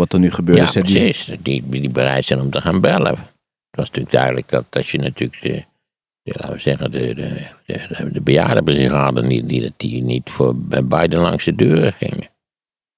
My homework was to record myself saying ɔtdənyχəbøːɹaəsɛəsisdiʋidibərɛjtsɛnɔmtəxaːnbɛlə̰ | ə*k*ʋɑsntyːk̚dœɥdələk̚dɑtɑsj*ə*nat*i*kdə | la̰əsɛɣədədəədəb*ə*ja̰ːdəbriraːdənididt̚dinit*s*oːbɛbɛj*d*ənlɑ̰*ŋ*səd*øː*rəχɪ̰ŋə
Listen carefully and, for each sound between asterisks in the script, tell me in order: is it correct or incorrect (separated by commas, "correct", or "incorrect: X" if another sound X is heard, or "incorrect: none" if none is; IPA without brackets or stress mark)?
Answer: incorrect: t, correct, incorrect: y, correct, incorrect: f, correct, correct, correct